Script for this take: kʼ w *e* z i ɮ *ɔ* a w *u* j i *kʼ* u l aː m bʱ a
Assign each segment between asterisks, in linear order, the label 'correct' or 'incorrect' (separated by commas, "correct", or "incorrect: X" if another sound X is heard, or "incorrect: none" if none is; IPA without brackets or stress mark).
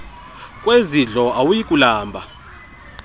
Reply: correct, correct, correct, correct